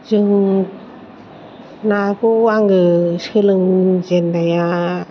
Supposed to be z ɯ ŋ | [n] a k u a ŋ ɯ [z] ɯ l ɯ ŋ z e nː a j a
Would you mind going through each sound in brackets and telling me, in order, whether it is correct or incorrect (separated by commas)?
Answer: correct, incorrect